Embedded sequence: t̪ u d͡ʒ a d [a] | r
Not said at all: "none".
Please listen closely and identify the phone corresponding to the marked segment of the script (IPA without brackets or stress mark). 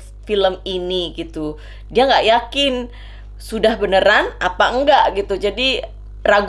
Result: i